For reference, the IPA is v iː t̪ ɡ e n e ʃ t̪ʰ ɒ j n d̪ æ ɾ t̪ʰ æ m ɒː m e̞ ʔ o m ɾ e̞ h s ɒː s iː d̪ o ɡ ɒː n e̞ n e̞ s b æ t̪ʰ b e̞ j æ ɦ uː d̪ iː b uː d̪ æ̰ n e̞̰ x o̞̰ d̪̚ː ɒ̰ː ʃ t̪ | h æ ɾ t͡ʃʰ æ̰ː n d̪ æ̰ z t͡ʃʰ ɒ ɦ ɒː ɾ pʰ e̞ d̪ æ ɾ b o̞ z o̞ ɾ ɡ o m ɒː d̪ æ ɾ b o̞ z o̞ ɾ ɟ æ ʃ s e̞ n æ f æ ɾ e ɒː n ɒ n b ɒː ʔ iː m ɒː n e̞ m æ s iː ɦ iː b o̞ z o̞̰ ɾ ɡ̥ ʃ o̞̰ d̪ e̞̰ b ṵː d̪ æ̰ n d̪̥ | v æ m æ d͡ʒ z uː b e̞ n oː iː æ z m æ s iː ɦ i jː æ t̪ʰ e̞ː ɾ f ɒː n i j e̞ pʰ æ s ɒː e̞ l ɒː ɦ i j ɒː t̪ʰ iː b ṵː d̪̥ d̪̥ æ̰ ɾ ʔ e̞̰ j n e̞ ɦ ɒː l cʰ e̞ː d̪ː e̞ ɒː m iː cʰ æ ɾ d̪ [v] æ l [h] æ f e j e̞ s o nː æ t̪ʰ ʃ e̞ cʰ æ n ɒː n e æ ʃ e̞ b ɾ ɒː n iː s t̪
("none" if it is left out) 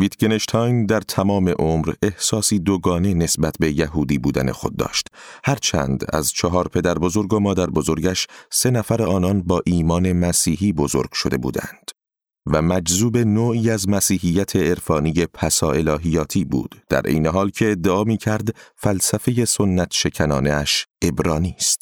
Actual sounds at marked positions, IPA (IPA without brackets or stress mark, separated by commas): f, s